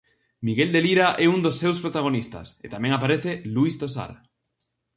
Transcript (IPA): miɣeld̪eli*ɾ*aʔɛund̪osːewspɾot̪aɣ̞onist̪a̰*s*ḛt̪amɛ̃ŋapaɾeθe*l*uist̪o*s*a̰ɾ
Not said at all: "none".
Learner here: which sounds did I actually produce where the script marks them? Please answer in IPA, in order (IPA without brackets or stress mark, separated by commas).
ɾ, s, l, s